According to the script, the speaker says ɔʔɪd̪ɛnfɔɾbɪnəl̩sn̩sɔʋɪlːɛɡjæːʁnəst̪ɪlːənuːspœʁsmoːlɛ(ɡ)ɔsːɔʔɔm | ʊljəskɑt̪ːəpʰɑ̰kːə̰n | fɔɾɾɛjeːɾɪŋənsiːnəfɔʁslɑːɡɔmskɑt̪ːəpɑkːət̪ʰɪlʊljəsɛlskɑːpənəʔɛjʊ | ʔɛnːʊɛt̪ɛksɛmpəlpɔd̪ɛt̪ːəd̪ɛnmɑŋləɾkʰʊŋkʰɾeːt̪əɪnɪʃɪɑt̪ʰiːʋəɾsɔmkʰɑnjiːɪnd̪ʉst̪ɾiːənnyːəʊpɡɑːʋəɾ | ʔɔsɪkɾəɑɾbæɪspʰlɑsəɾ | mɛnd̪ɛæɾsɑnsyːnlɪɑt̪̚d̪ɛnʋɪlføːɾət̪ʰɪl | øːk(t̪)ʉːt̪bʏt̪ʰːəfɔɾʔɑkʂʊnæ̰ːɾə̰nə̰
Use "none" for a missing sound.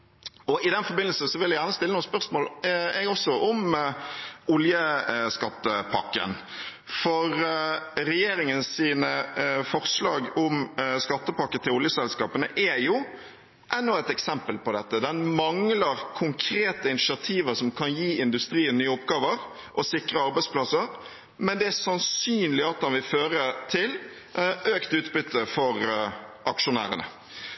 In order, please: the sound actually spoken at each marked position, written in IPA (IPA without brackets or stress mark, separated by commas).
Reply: ɡ, t̪